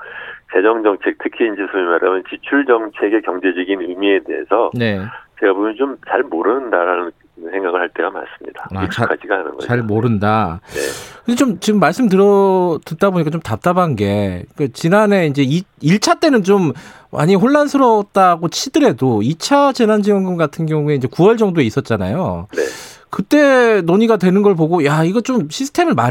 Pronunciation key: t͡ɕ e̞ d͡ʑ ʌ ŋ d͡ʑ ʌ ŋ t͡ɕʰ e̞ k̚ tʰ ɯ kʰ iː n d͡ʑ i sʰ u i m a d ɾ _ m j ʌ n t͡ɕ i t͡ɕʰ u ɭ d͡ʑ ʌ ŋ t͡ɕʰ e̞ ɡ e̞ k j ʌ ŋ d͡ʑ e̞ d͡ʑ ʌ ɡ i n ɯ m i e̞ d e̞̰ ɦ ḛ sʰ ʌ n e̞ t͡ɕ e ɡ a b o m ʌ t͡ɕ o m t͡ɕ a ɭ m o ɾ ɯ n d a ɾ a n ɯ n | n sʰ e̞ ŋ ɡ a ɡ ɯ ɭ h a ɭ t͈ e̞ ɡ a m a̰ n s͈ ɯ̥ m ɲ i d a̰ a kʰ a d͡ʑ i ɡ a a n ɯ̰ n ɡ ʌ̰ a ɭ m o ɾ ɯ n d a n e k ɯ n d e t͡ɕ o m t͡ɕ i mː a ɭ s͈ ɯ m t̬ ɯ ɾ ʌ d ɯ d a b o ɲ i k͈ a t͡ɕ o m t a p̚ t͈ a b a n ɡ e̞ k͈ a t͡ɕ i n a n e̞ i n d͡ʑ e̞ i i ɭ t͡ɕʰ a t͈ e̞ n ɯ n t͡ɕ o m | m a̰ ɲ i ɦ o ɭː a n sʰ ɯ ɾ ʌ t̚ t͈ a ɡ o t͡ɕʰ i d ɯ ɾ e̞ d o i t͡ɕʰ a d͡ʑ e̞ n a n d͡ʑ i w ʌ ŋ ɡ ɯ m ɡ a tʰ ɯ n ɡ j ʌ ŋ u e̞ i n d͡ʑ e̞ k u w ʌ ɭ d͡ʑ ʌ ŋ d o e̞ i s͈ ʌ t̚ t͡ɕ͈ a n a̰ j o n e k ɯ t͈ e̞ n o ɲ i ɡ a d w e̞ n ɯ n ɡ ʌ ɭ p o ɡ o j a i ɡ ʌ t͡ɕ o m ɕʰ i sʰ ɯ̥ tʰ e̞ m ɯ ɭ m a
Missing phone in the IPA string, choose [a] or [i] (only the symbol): a